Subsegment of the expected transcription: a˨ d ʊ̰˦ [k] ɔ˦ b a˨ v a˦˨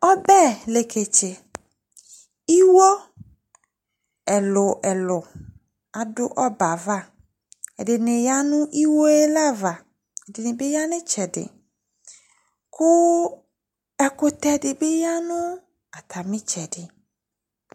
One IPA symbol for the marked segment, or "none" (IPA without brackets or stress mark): ʔ